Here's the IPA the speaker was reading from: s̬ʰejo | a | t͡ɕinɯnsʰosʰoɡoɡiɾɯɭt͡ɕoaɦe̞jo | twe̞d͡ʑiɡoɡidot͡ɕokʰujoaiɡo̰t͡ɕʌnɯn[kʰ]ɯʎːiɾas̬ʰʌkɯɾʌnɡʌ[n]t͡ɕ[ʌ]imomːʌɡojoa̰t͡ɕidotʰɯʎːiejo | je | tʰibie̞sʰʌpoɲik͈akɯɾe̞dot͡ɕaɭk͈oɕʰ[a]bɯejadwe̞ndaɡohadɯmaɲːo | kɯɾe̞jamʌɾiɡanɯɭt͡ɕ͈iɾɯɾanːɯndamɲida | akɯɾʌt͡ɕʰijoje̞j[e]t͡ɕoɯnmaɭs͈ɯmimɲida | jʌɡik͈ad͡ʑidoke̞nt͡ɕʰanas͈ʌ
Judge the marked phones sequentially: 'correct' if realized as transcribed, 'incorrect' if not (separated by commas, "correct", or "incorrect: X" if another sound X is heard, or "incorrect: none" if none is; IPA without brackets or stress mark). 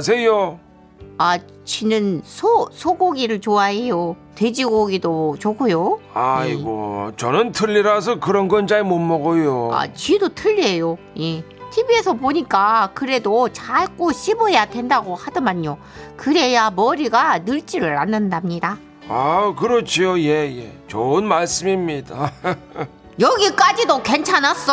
incorrect: tʰ, correct, incorrect: a, incorrect: i, correct